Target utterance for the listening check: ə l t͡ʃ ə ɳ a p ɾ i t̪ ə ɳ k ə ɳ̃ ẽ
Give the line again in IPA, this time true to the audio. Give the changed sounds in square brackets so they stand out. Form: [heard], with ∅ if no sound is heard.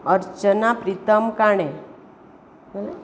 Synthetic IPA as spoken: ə [ɾ] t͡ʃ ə [n] a p ɾ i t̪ ə [m] k [a] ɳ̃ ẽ